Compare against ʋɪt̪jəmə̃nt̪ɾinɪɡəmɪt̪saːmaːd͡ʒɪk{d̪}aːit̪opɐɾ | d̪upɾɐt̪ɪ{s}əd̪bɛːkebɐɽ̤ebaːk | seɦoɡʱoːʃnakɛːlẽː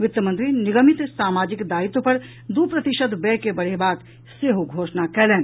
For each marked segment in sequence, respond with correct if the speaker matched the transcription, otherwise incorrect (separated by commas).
correct, incorrect